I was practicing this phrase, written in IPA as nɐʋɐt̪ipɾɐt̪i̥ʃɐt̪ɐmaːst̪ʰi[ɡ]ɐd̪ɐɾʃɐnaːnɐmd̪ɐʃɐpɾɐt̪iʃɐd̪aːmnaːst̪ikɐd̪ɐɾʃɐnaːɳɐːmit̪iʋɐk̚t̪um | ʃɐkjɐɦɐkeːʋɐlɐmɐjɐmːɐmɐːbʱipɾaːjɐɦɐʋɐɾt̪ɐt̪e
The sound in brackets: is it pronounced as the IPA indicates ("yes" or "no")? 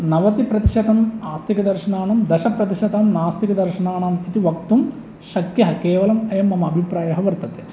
no